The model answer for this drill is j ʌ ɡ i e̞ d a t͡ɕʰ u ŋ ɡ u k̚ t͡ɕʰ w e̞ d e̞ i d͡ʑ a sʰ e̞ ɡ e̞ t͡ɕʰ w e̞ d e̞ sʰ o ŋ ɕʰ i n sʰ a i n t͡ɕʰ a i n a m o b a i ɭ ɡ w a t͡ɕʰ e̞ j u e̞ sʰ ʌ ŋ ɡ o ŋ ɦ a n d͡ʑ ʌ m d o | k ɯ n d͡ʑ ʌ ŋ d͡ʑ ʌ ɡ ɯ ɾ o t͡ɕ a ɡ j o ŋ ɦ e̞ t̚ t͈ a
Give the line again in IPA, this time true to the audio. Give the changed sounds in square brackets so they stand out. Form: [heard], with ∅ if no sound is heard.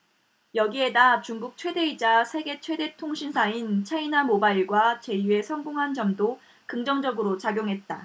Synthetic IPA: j ʌ ɡ i e̞ d a [t͡ɕ] u ŋ ɡ u k̚ t͡ɕʰ w e̞ d e̞ i d͡ʑ a sʰ e̞ ɡ e̞ t͡ɕʰ w e̞ d e̞ [tʰ] o ŋ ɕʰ i n sʰ a i n t͡ɕʰ a i n a m o b a i ɭ ɡ w a [t͡ɕ] e̞ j u e̞ sʰ ʌ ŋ ɡ o ŋ ɦ a n d͡ʑ ʌ m d o | k ɯ [ŋ] d͡ʑ ʌ ŋ d͡ʑ ʌ ɡ ɯ ɾ o t͡ɕ a ɡ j o ŋ ɦ e̞ t̚ t͈ a